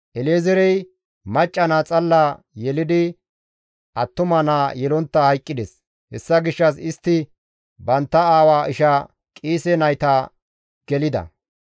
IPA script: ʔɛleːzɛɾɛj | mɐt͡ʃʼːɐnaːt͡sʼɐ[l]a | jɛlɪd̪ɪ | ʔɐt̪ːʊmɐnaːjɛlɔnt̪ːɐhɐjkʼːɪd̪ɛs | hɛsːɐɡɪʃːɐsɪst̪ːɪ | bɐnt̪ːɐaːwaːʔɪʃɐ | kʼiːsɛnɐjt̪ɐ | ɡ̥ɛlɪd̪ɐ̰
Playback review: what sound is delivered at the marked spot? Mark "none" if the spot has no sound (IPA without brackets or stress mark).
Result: lː